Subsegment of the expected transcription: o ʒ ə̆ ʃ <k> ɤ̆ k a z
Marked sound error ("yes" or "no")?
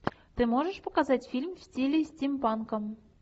yes